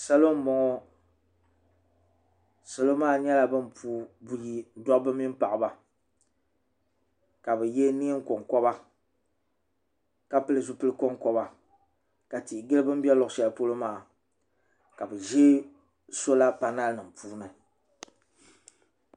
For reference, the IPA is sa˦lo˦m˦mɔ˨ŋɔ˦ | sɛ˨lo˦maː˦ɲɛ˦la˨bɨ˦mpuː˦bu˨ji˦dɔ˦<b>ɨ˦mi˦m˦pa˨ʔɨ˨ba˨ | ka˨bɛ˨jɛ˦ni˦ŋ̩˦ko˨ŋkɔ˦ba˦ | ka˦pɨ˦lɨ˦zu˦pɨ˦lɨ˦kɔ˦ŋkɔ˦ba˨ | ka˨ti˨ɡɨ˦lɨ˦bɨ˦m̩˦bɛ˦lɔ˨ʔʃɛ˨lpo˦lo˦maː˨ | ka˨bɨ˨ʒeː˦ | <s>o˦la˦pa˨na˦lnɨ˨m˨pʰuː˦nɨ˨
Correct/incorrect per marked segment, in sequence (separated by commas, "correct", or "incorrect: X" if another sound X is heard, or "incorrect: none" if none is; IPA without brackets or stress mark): correct, correct